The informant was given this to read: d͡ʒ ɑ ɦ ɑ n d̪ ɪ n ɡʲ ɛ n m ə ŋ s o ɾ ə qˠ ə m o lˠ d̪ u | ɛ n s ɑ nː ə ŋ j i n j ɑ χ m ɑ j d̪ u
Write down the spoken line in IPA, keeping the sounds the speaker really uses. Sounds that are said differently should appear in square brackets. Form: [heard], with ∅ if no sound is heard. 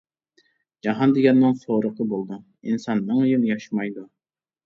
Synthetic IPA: d͡ʒ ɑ ɦ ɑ n d̪ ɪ [∅] ɡʲ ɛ n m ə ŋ s o ɾ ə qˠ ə [b] o lˠ d̪ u | [i] n s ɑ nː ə ŋ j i n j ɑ [ʃ] m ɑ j d̪ u

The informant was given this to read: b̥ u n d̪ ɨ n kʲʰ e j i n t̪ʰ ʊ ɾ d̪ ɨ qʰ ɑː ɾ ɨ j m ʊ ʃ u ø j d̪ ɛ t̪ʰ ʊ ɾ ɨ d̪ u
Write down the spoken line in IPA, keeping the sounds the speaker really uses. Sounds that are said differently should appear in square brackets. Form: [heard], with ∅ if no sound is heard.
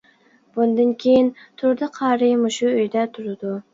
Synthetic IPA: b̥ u n d̪ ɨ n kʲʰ e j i n t̪ʰ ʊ ɾ d̪ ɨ qʰ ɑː ɾ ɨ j m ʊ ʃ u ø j d̪ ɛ t̪ʰ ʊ ɾ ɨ d̪ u

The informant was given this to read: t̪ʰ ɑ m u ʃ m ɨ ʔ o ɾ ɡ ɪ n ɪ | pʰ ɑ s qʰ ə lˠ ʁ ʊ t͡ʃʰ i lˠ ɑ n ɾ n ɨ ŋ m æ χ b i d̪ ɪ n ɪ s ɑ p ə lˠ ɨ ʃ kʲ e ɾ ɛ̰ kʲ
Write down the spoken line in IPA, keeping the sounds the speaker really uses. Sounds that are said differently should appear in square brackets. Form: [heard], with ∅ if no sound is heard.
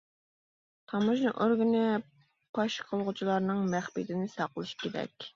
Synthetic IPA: t̪ʰ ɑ m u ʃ [n] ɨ ʔ o ɾ ɡ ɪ n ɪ | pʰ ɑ [ʃ] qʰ ə lˠ ʁ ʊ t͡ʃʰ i lˠ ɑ [∅] ɾ n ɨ ŋ m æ χ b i d̪ ɪ n ɪ s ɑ [q] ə lˠ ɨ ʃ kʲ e ɾ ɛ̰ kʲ

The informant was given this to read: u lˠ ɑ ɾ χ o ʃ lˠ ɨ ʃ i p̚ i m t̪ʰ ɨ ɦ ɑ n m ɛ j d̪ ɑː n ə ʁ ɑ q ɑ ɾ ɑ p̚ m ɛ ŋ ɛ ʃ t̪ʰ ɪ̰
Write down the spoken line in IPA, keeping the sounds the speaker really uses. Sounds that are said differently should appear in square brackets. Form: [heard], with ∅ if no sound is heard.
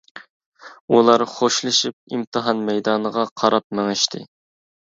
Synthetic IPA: u lˠ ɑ ɾ χ o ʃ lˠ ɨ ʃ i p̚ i m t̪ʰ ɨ ɦ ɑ n m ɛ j d̪ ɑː n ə ʁ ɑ [qʰ] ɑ ɾ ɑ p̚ m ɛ ŋ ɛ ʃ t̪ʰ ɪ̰

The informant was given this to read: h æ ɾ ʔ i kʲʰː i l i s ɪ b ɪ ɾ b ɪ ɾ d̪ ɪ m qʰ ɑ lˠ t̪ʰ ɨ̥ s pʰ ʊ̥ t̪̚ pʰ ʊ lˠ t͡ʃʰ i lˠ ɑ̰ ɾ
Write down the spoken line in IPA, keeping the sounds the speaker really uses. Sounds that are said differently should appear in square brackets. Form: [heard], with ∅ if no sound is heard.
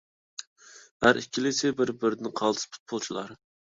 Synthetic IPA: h æ ɾ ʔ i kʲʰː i l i s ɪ b ɪ ɾ b ɪ ɾ d̪ ɪ [n] qʰ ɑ lˠ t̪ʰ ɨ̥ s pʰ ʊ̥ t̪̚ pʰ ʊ lˠ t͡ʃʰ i lˠ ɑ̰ ɾ

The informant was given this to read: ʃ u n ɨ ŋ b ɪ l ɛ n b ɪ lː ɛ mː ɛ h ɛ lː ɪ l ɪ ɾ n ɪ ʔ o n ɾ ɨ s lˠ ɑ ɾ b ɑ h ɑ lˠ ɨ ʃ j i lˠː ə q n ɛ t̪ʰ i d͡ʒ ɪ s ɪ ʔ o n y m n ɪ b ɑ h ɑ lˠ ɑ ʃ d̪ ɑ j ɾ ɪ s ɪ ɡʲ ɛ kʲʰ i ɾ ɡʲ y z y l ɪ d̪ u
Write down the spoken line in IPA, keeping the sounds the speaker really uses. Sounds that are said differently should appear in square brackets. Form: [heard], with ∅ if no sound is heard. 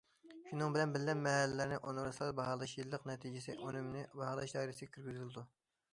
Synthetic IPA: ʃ u n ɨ ŋ b ɪ l ɛ n b ɪ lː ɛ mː ɛ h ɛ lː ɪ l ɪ ɾ n ɪ ʔ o n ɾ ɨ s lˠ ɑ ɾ b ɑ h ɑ lˠ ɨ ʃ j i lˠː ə q n ɛ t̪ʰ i d͡ʒ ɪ s ɪ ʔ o n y m n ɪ b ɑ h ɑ lˠ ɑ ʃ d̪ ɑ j ɾ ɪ s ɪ ɡʲ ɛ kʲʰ [y] ɾ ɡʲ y z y l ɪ d̪ u

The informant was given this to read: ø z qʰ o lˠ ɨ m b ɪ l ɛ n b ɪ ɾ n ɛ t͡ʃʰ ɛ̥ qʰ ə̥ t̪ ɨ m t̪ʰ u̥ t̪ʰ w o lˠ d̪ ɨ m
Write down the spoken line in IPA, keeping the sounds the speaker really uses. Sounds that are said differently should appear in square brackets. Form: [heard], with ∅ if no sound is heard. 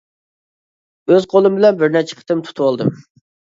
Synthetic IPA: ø z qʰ o lˠ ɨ m b ɪ l ɛ n b ɪ ɾ n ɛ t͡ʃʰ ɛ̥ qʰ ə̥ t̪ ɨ m t̪ʰ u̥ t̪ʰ w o lˠ d̪ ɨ m

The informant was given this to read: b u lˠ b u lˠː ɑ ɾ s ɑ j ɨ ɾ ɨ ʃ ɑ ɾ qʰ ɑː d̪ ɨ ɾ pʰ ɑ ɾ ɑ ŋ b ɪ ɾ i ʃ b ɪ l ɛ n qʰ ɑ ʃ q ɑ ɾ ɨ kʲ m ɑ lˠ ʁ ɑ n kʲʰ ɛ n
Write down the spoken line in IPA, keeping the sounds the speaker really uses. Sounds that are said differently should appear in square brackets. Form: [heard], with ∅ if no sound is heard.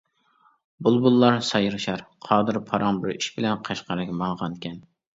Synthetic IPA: b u lˠ b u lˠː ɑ ɾ s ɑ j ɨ ɾ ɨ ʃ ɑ ɾ qʰ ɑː d̪ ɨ ɾ pʰ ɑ ɾ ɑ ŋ b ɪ ɾ i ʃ b ɪ l ɛ n qʰ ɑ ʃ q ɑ ɾ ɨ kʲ m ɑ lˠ ʁ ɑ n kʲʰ ɛ n

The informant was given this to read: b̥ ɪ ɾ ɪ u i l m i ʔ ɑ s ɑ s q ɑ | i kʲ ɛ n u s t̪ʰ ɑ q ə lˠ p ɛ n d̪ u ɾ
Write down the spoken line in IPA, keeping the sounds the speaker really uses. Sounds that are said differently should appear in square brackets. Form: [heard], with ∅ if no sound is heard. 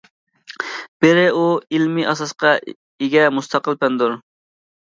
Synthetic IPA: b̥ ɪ ɾ ɪ u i l m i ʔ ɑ s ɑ s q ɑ | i [ɡʲ] ɛ [m] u s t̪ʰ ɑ q ə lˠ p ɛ n d̪ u ɾ

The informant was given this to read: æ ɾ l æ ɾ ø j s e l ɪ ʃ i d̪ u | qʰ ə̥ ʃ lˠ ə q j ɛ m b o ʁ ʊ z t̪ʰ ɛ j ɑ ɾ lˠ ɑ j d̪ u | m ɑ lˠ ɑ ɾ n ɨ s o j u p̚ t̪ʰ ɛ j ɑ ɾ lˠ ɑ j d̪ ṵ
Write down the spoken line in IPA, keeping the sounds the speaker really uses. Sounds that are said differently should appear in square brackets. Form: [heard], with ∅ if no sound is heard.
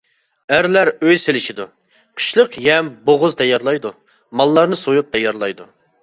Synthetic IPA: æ ɾ l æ ɾ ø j s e l ɪ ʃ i d̪ u | qʰ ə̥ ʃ lˠ ə q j ɛ m b o ʁ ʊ z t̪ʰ ɛ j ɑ ɾ lˠ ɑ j d̪ u | m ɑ [lˠː] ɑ ɾ n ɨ s o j u p̚ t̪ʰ ɛ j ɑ ɾ lˠ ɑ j d̪ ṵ

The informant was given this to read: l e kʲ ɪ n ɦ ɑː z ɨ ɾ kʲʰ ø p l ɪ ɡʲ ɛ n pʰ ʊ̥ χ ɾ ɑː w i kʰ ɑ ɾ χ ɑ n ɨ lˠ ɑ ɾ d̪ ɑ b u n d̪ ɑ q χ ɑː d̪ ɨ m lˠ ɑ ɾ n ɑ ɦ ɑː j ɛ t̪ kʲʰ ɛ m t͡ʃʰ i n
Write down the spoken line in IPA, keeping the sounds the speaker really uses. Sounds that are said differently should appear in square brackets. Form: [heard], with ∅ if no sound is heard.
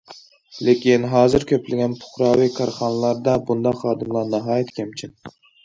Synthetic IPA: l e kʲ [i] n ɦ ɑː z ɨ ɾ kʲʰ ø p l ɪ ɡʲ ɛ n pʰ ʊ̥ χ ɾ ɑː w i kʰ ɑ ɾ χ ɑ n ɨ lˠ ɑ ɾ d̪ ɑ b u n d̪ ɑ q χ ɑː d̪ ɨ m lˠ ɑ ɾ n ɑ ɦ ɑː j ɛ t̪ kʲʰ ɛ m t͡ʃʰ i n

